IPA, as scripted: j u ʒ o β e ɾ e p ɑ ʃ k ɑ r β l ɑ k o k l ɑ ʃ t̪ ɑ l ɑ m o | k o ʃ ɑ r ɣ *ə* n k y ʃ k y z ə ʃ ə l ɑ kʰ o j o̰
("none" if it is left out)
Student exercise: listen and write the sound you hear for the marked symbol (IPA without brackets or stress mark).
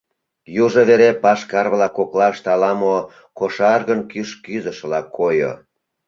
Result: ə